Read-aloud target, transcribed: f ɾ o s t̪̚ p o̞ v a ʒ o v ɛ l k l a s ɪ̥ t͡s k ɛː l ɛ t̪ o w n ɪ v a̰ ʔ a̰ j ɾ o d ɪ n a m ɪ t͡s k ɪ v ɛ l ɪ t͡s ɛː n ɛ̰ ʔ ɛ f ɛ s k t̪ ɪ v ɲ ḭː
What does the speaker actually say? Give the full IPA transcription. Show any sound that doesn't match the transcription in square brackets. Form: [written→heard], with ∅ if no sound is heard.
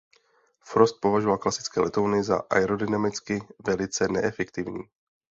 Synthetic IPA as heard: f ɾ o s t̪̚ p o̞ v a ʒ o v [ɛ→a] l k l a s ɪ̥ t͡s k ɛː l ɛ t̪ o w n ɪ [v→z] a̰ ʔ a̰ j ɾ o d ɪ n a m ɪ t͡s k ɪ v ɛ l ɪ t͡s [ɛː→ɛ] n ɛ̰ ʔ ɛ f ɛ [s→∅] k t̪ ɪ v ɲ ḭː